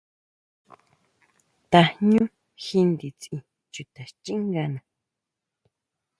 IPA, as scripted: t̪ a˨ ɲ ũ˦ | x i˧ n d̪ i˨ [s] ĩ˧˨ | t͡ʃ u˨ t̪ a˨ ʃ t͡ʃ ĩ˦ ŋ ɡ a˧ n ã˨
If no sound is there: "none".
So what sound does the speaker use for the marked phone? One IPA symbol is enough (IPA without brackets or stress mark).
t͡s